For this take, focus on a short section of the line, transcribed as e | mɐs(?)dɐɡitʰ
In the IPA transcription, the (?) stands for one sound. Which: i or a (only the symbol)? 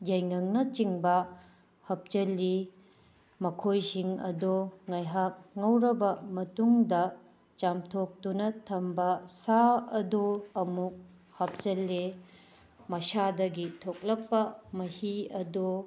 a